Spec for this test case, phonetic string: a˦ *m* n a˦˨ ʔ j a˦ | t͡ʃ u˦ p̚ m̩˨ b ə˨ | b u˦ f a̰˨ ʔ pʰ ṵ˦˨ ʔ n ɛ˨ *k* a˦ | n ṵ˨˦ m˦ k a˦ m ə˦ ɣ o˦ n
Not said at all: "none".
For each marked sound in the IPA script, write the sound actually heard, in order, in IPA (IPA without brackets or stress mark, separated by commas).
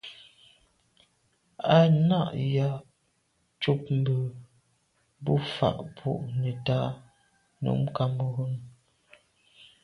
none, t